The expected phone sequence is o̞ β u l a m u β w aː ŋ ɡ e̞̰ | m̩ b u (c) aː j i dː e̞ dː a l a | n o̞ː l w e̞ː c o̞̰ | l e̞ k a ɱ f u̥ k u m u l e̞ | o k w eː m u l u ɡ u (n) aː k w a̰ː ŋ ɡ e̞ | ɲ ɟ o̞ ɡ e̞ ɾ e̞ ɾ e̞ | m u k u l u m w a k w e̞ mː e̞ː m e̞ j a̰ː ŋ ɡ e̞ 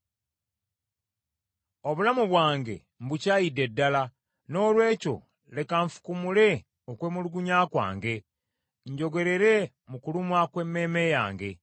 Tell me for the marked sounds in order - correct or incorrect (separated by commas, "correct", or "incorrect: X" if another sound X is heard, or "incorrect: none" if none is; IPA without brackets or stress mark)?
correct, incorrect: ɲ